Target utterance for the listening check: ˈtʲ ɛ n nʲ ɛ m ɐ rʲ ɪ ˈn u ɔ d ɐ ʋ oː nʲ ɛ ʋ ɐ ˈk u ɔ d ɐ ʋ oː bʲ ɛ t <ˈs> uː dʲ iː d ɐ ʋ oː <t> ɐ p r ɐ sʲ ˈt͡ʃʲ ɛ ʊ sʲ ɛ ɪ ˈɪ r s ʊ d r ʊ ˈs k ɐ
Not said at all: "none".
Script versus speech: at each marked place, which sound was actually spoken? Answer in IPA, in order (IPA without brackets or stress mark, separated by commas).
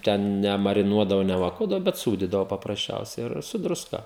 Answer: s, p